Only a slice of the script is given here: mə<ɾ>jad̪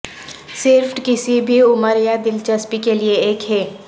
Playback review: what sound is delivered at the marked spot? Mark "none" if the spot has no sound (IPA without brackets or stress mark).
ɾ